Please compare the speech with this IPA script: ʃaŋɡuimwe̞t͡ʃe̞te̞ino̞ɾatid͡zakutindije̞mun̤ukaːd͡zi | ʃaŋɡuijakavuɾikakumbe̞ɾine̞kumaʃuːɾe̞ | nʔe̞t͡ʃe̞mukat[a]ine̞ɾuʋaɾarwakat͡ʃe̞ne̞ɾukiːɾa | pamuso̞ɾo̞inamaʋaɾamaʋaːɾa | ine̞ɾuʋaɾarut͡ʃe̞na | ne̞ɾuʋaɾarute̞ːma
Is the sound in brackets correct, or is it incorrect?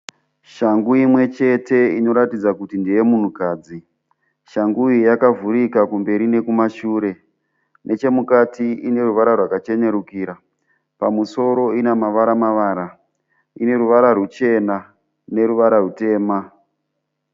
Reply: incorrect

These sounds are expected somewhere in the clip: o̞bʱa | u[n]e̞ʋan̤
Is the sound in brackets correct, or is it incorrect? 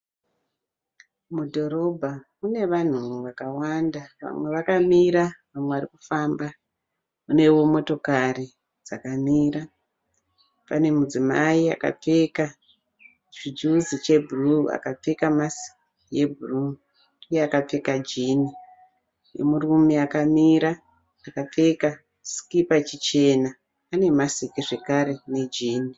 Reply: correct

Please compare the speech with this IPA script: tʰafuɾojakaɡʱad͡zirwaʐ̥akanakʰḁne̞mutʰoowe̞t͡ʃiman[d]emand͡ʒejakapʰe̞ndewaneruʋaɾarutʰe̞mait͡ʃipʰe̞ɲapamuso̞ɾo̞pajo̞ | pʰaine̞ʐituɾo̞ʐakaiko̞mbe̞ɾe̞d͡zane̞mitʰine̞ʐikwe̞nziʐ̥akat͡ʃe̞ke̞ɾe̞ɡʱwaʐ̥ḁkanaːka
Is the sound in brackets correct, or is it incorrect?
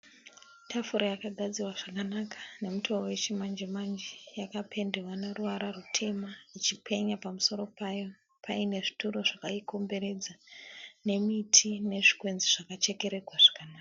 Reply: incorrect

